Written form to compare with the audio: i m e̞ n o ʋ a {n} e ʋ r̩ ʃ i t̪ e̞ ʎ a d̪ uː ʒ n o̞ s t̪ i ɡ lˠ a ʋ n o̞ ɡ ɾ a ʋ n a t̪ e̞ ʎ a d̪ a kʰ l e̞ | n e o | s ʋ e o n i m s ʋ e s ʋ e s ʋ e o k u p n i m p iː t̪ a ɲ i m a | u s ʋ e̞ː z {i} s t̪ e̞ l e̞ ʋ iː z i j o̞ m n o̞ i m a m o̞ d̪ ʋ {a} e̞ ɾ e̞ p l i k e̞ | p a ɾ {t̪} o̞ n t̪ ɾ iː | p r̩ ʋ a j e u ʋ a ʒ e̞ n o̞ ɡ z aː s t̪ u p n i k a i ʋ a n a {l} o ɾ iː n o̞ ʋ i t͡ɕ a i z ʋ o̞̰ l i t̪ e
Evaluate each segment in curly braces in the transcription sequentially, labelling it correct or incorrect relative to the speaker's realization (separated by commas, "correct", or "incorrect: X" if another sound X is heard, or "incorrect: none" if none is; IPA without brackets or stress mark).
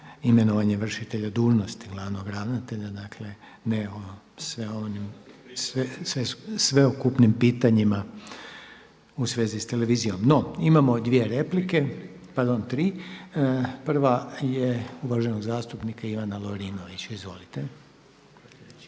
incorrect: ɲ, correct, incorrect: i, incorrect: d̪, correct